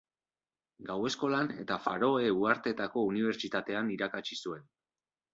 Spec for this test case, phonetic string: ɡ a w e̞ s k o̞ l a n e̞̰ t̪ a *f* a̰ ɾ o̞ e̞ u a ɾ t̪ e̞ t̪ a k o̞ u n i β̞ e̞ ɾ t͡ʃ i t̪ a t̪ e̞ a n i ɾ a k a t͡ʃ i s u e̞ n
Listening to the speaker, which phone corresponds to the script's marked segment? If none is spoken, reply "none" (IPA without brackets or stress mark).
f